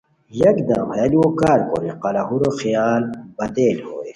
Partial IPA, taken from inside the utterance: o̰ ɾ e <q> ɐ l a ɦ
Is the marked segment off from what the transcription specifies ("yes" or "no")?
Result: no